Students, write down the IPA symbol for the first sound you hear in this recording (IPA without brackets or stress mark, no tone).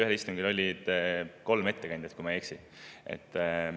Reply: y